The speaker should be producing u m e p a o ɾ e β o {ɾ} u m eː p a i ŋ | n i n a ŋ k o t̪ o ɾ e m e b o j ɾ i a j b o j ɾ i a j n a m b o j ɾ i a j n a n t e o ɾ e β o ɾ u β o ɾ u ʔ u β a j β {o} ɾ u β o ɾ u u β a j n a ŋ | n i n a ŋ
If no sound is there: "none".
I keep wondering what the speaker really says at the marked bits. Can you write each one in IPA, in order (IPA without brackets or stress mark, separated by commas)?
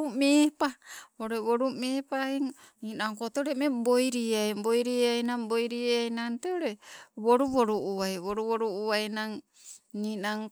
ɾ, o